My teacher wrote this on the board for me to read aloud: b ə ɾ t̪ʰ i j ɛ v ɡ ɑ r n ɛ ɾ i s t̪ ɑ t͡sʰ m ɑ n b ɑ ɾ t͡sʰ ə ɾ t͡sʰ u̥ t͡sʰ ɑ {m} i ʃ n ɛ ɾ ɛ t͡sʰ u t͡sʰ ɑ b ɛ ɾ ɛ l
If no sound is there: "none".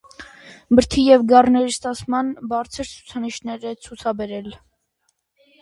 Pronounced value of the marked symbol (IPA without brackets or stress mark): n